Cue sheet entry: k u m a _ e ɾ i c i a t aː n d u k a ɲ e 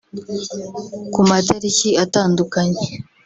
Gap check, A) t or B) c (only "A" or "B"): A